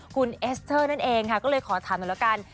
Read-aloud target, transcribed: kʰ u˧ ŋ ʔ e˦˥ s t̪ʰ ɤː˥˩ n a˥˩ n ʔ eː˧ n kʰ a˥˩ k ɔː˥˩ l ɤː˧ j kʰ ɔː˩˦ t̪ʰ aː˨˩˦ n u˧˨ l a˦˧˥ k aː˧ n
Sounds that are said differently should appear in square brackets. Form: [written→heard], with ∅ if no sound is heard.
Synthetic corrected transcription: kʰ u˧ [ŋ→n] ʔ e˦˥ s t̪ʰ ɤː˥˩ n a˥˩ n ʔ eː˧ [n→ŋ] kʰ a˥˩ k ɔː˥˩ l ɤː˧ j kʰ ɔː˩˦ t̪ʰ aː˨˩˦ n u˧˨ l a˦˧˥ k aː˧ n